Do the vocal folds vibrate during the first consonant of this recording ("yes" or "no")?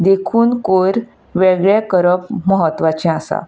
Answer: yes